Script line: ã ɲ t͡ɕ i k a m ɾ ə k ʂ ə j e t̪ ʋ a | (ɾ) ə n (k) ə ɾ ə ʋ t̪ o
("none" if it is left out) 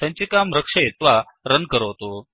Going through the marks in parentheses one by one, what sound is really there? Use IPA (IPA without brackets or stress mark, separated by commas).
ɾ, k